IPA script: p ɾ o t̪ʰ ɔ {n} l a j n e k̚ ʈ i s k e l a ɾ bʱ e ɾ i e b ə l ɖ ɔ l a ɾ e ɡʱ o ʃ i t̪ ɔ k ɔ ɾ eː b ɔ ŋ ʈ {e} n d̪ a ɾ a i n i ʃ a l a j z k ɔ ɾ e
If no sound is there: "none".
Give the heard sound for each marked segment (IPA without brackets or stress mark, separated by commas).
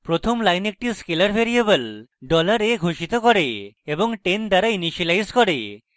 m, e